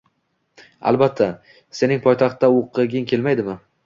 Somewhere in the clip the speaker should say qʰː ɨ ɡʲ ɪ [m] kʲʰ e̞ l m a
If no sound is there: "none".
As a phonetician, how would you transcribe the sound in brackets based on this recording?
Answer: ŋ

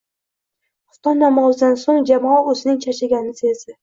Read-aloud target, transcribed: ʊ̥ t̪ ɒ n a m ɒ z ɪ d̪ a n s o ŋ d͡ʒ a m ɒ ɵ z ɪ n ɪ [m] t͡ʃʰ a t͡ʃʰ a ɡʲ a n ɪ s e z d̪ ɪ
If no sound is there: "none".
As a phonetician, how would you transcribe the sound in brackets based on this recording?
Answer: ŋ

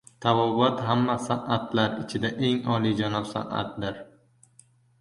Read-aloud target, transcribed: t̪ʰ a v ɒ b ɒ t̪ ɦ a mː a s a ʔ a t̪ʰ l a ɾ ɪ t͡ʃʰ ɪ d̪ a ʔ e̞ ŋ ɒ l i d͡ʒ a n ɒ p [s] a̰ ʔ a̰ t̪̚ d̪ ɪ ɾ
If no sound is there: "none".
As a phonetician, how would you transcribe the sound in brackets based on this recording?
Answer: s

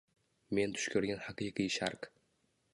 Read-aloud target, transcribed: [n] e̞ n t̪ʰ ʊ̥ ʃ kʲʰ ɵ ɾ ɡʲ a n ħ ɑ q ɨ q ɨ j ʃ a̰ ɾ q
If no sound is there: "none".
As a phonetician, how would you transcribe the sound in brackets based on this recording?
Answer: m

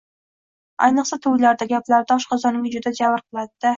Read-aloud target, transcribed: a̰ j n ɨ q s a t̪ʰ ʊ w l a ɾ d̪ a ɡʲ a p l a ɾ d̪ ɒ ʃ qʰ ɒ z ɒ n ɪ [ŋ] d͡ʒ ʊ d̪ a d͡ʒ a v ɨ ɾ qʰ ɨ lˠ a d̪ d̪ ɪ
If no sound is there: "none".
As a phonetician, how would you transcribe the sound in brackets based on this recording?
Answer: ŋ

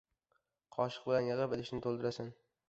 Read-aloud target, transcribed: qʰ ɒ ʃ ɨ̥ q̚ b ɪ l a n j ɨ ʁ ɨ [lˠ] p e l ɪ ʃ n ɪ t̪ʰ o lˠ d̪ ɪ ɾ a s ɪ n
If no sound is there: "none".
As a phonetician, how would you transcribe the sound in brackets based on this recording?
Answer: none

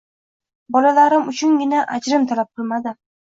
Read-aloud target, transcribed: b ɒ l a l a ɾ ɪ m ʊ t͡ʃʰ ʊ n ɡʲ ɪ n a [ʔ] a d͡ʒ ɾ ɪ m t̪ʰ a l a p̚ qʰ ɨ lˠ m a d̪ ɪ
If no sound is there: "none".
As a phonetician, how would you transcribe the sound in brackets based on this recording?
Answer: ʔ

